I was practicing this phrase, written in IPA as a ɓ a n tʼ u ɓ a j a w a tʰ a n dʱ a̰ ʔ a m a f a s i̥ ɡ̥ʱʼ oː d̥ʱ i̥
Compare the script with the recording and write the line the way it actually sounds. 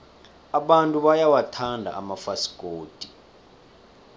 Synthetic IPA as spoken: a ɓ a n tʼ u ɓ a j a w a tʰ a n dʱ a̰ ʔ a m a f a s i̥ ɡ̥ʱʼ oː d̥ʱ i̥